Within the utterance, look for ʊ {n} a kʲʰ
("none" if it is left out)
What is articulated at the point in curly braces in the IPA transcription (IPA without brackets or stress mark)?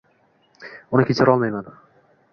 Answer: n